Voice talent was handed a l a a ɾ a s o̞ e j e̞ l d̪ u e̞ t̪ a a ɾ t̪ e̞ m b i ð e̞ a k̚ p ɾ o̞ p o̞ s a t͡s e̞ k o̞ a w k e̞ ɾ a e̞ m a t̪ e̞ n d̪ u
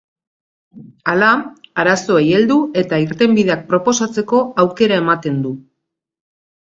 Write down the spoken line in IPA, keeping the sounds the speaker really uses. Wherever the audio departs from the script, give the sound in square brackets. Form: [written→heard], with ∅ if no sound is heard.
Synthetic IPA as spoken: a l a a ɾ a s o̞ e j e̞ l d̪ u e̞ t̪ a [a→i] ɾ t̪ e̞ m b i ð e̞ a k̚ p ɾ o̞ p o̞ s a t͡s e̞ k o̞ a w k e̞ ɾ a e̞ m a t̪ e̞ n d̪ u